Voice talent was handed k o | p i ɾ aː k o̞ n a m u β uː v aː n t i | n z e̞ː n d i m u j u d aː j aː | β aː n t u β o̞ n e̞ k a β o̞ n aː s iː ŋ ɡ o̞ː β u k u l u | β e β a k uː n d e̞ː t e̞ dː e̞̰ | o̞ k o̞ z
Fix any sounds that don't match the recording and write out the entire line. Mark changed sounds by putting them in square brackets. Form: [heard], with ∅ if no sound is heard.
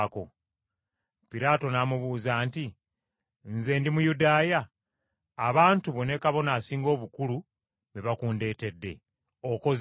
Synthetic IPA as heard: k o | p i ɾ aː [t] o̞ n a m u β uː [z] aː n t i | n z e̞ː n d i m u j u d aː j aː | β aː n t u β o̞ n e̞ k a β o̞ n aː s iː ŋ ɡ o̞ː β u k u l u | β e β a k uː n d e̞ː t e̞ dː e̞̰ | o̞ k o̞ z